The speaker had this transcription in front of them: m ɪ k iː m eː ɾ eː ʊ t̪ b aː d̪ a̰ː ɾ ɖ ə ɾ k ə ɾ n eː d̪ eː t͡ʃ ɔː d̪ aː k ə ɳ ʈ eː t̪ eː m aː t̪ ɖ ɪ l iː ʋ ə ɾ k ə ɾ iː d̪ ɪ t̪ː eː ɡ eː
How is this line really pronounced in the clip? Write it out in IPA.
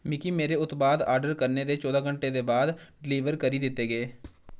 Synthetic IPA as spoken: m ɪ k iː m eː ɾ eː ʊ t̪ b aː d̪ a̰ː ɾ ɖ ə ɾ k ə ɾ n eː d̪ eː t͡ʃ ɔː d̪ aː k ə ɳ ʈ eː d̪ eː b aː d̪ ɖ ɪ l iː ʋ ə ɾ k ə ɾ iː d̪ ɪ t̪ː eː ɡ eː